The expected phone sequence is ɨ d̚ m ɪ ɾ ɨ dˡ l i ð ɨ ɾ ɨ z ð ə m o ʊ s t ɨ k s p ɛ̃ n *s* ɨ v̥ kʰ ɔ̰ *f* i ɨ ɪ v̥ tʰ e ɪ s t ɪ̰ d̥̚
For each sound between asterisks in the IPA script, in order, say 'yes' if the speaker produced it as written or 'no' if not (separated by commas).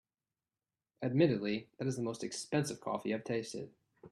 yes, yes